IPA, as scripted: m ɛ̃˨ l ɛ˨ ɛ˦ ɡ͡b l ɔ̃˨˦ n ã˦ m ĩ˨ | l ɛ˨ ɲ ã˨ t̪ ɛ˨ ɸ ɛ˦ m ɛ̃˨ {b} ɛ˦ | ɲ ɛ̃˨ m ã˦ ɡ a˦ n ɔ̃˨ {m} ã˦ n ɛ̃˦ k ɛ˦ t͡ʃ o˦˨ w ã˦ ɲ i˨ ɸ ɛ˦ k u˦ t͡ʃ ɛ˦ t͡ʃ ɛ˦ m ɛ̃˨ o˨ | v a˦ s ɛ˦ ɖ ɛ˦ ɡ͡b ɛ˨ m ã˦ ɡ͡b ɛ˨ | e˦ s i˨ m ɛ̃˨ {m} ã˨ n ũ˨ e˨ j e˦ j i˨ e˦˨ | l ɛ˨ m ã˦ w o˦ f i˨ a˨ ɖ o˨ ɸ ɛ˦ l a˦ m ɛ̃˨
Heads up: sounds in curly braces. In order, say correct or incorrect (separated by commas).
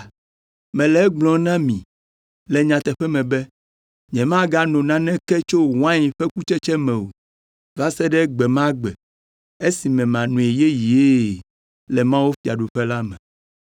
correct, incorrect, correct